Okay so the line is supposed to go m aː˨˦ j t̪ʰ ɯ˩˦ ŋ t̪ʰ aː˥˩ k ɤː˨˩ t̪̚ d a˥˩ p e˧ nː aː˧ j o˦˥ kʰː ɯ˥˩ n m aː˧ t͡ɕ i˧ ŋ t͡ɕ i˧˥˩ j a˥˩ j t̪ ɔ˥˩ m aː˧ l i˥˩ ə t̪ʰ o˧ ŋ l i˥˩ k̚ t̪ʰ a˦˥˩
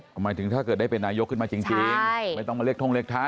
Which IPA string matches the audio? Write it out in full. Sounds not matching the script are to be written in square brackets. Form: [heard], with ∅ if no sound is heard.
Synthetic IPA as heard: m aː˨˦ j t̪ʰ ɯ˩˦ ŋ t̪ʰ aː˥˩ k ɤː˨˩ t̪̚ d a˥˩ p e˧ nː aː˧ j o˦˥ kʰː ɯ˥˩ n m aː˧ t͡ɕ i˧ ŋ t͡ɕ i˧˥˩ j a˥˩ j t̪ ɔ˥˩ m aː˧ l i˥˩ ə t̪ʰ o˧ ŋ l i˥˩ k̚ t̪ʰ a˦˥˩